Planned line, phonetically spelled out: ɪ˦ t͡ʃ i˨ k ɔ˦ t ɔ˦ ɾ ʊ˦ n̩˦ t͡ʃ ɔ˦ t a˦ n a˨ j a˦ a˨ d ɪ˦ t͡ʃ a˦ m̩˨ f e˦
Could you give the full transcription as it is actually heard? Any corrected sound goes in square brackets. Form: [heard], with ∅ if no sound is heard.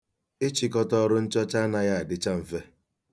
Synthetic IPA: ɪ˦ t͡ʃ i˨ k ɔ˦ t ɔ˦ ɾ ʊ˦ n̩˦ t͡ʃ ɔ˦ [t͡ʃ] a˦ n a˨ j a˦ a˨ d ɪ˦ t͡ʃ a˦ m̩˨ f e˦

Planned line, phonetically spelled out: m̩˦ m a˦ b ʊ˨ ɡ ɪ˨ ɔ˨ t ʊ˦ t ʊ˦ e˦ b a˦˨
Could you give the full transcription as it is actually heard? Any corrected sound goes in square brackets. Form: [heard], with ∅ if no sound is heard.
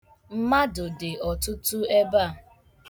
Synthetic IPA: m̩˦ m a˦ [d] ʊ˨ [d] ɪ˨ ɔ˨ t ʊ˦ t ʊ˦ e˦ b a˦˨

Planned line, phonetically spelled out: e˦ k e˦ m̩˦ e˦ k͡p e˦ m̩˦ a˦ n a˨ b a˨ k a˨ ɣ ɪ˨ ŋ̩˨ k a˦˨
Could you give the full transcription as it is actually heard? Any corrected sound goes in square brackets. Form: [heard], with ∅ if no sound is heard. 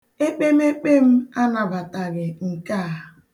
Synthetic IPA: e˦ [k͡p] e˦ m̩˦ e˦ k͡p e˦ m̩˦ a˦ n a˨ b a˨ [t] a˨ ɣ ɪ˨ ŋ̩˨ k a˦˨

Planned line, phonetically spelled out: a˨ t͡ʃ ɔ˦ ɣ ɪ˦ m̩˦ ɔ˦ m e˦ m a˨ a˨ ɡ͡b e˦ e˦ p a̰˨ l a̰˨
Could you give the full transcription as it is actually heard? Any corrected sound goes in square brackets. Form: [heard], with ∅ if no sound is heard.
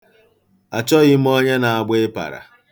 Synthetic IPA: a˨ t͡ʃ ɔ˦ ɣ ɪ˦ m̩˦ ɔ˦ [ɲ] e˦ [n] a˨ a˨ ɡ͡b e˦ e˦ p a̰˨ [ɾ] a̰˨

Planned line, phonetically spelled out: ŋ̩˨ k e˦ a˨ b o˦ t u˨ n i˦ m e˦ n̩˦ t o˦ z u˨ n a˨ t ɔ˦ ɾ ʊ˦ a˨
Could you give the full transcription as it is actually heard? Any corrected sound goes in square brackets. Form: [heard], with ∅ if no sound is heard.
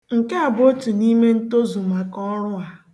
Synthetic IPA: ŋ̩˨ k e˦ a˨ b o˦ t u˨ n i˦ m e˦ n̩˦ t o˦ z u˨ [m] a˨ [k] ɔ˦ ɾ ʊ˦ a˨

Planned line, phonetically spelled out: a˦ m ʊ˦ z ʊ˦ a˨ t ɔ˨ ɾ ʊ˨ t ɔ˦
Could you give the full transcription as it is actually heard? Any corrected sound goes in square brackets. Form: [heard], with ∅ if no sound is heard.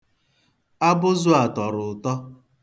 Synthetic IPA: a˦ [b] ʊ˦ z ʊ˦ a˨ t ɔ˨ ɾ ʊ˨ t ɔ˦

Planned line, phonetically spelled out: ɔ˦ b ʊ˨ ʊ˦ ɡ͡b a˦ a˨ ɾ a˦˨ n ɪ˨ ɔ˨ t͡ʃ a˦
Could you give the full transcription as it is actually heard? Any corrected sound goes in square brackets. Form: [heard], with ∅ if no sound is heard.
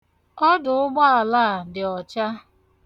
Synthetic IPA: ɔ˦ [d] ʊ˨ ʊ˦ ɡ͡b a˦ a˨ [l] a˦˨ [d] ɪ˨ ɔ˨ t͡ʃ a˦

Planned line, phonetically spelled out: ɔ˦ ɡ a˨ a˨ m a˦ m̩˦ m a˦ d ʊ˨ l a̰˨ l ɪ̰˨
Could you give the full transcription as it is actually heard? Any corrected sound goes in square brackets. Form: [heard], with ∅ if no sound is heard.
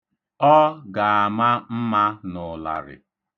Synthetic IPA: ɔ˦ ɡ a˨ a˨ m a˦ m̩˦ m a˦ [n] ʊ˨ l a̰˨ [ɾ] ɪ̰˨

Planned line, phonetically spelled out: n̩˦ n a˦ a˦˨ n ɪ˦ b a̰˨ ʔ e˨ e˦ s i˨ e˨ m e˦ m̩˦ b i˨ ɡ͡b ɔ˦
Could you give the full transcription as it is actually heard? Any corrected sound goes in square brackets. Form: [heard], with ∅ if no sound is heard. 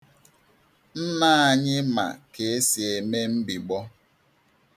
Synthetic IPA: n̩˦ n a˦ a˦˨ [ɲ] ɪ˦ [m] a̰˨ [k] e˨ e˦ s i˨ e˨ m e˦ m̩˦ b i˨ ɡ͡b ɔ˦

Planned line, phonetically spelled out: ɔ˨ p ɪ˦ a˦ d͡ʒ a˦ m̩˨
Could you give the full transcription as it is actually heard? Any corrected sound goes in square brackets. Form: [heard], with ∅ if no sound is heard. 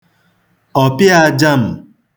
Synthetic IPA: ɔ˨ p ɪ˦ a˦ d͡ʒ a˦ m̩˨

